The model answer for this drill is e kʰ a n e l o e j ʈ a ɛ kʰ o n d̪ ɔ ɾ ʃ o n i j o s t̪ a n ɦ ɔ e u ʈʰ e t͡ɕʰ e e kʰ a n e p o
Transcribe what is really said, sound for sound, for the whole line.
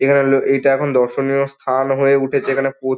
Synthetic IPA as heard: e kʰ a n e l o e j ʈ a ɛ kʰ o n d̪ ɔ ɾ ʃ o n i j o s t̪ʰ a n ɦ o e u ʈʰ e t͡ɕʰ e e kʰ a n e p o